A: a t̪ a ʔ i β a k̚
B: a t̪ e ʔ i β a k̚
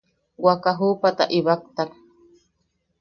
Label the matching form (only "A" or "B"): A